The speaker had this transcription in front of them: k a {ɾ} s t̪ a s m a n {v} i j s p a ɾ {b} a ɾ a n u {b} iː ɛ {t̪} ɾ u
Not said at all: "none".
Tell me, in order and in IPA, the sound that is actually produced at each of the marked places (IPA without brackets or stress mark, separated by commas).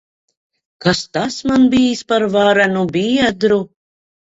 none, b, v, b, d̪